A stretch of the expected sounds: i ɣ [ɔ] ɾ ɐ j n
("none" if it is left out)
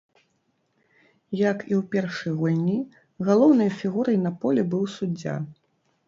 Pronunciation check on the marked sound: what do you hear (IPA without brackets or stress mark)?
u